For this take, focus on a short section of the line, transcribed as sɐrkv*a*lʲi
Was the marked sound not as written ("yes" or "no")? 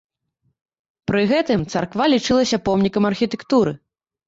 no